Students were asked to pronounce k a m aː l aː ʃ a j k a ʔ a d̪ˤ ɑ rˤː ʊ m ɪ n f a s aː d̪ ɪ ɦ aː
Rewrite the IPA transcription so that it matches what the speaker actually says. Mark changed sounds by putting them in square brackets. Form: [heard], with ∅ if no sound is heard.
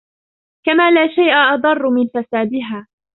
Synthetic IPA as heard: k a m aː l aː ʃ a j [ʔ] a ʔ [ɑ] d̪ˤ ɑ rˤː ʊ m ɪ n f a s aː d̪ ɪ ɦ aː